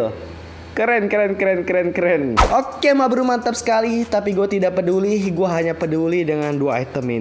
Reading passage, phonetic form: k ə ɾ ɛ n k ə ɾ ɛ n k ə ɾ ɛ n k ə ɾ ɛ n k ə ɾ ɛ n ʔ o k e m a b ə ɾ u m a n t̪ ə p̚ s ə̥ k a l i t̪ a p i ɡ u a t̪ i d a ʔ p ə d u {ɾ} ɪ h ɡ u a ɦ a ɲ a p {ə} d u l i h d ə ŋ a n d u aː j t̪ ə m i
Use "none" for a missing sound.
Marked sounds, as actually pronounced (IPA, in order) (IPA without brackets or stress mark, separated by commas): l, ə